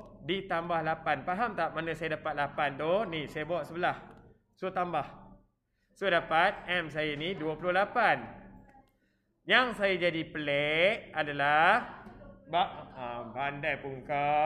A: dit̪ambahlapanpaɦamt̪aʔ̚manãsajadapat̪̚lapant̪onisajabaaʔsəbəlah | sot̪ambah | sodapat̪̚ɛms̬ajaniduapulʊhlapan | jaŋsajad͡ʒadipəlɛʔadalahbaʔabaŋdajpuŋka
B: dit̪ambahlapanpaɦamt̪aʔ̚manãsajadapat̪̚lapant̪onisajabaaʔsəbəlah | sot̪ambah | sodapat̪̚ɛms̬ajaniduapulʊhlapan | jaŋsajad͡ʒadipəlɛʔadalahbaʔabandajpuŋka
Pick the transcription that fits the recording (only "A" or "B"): B